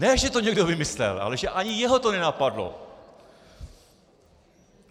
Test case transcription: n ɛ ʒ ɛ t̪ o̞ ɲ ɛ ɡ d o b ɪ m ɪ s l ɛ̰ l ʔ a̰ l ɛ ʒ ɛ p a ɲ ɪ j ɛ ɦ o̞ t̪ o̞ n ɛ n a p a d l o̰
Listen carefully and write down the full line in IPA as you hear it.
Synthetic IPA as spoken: n ɛ ʒ ɛ t̪ o̞ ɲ ɛ ɡ d o v ɪ m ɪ s l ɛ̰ l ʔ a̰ l ɛ ʒ ɛ ʔ a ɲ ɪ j ɛ ɦ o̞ t̪ o̞ n ɛ n a p a d l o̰

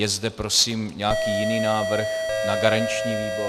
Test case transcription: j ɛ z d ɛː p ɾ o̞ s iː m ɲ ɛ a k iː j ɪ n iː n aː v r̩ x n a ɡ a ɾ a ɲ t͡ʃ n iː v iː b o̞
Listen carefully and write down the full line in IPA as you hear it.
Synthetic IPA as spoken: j ɛ z d ɛ p ɾ o̞ s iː m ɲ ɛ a k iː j ɪ n iː n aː v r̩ x n a ɡ a ɾ a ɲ t͡ʃ ɲ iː v iː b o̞

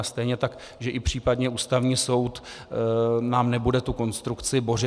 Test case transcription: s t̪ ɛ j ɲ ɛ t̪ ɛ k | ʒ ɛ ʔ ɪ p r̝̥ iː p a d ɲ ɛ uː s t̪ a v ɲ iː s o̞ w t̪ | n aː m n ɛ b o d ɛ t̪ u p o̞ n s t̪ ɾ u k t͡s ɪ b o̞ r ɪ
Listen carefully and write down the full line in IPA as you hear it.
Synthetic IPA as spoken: s t̪ ɛ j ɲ ɛ t̪ a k | ʒ ɛ ʔ ɪ p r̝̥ iː p a d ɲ ɛ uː s t̪ a v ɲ iː s o̞ w t̪ | n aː m n ɛ b u d ɛ t̪ u k o̞ n s t̪ ɾ u k t͡s ɪ b o̞ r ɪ

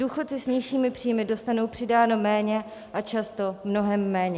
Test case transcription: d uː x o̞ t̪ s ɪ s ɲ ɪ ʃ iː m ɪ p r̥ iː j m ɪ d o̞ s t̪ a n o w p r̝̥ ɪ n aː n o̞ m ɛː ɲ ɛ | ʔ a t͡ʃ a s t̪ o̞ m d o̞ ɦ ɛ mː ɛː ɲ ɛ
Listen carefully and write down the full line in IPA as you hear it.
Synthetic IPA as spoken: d uː x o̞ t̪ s ɪ s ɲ ɪ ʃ iː m ɪ p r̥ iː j m ɪ d o̞ s t̪ a n o w p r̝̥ ɪ d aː n o̞ m ɛː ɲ ɛ | ʔ a t͡ʃ a s t̪ o̞ m n o̞ ɦ ɛ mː ɛː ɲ ɛ

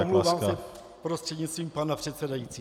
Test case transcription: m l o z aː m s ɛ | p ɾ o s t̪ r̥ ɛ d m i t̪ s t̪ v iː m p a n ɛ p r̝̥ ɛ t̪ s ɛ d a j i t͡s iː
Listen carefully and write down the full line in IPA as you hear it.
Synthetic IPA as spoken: m l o v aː m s ɛ | p ɾ o s t̪ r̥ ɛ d ɲ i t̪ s t̪ v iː m p a n a p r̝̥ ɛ t̪ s ɛ d a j i t͡s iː

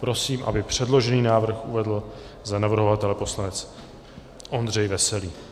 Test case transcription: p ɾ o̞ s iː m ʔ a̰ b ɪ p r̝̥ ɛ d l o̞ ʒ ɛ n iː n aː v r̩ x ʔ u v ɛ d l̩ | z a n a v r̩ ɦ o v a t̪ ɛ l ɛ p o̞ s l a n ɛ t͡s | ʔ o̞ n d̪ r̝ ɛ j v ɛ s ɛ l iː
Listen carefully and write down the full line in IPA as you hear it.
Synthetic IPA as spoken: p ɾ o̞ s iː m ʔ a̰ b ɪ p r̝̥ ɛ d l o̞ ʒ ɛ n iː n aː v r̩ x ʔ u v ɛ d l̩ | z a n a v r̩ ɦ o v a t̪ ɛ l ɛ p o̞ s l a n ɛ t͡s | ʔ o̞ n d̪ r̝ ɛ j v ɛ s ɛ l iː

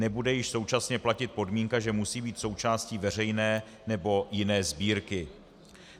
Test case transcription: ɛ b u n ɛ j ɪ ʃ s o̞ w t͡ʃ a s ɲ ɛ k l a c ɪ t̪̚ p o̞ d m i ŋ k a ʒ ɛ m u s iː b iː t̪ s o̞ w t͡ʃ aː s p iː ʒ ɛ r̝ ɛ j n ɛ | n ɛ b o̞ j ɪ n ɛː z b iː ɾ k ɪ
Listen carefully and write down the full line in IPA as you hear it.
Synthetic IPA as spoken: ɛ b u d ɛ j ɪ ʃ s o̞ w t͡ʃ a s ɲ ɛ p l a c ɪ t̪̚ p o̞ d m i ŋ k a ʒ ɛ m u s iː b iː t̪ s o̞ w t͡ʃ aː s c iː v ɛ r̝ ɛ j n ɛː | n ɛ b o̞ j ɪ n ɛː z b iː ɾ k ɪ

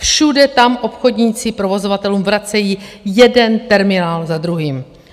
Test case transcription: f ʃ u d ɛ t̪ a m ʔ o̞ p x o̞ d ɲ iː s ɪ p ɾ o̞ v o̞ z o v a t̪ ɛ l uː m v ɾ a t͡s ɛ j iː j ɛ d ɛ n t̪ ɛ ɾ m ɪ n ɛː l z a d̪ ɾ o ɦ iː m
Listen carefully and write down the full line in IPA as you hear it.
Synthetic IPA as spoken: f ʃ u d ɛ t̪ a m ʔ o̞ p x o̞ d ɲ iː t͡s ɪ p ɾ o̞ v o̞ z o v a t̪ ɛ l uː m v ɾ a t͡s ɛ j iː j ɛ d ɛ n t̪ ɛ ɾ m ɪ n aː l z a d̪ ɾ u ɦ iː m

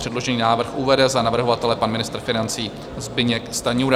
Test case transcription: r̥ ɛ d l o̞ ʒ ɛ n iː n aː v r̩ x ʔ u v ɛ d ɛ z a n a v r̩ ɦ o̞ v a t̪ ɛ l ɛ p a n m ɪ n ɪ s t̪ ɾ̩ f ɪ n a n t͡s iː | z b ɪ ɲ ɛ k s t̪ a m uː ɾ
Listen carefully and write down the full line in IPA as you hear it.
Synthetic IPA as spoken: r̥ ɛ d l o̞ ʒ ɛ n iː n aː v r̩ x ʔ u v ɛ d ɛ z a n a v r̩ ɦ o̞ v a t̪ ɛ l ɛ p a n m ɪ n ɪ s t̪ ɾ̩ f ɪ n a n t͡s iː | z b ɪ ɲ ɛ k s t̪ a ɲ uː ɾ

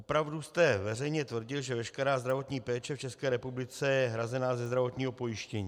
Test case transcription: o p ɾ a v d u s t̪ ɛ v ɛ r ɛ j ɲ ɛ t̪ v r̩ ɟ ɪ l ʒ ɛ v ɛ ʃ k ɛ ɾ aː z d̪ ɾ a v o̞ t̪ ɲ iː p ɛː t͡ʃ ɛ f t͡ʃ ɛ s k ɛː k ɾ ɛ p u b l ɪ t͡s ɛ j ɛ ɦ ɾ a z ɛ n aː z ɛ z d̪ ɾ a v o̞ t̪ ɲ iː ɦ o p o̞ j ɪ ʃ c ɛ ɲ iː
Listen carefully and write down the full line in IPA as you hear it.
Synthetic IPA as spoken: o p ɾ a v d u s t̪ ɛ v ɛ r ɛ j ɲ ɛ t̪ v r̩ ɟ ɪ l ʒ ɛ v ɛ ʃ k ɛ ɾ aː z d̪ ɾ a v o̞ t̪ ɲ iː p ɛː t͡ʃ ɛ f t͡ʃ ɛ s k ɛː ɾ ɛ p u b l ɪ t͡s ɛ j ɛ ɦ ɾ a z ɛ n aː z ɛ z d̪ ɾ a v o̞ t̪ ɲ iː ɦ o p o̞ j ɪ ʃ c ɛ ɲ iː

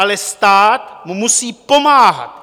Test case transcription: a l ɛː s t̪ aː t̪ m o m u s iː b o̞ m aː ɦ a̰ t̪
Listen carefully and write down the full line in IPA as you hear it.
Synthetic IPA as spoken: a l ɛ s t̪ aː t̪ m u m u s iː p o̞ m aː ɦ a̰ t̪

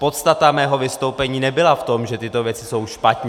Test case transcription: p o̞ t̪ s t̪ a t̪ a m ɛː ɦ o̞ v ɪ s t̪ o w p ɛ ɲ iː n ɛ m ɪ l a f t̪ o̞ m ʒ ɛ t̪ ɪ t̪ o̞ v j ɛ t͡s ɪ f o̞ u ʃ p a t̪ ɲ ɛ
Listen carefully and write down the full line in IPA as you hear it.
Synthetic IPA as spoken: p o̞ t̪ s t̪ a t̪ a m ɛː ɦ o̞ v ɪ s t̪ o w p ɛ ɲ iː n ɛ b ɪ l a f t̪ o̞ m ʒ ɛ t̪ ɪ t̪ o̞ v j ɛ t͡s ɪ s o̞ w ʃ p a t̪ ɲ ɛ

